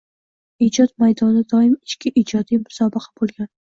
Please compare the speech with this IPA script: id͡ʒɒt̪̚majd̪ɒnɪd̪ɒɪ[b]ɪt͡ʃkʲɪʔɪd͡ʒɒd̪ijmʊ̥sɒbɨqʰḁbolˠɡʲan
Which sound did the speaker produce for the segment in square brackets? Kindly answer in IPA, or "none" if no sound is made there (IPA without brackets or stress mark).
m